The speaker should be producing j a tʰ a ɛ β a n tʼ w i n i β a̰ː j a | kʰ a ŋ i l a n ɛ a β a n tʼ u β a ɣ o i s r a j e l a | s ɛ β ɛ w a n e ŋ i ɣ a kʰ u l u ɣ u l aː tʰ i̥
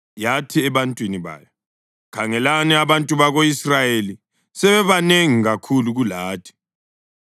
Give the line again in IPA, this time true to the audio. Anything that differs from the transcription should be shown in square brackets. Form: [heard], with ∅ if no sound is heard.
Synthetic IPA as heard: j a tʰ [i] ɛ β a n tʼ w i n i β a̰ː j a | kʰ a ŋ [ɛ] l a n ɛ a β a n tʼ u β a ɣ o i s r a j e l [i] | s ɛ β ɛ [β] a n e ŋ i ɣ a kʰ u l u ɣ u l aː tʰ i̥